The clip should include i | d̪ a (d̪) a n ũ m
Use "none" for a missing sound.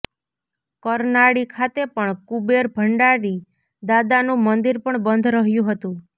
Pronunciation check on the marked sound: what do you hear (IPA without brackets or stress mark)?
d̪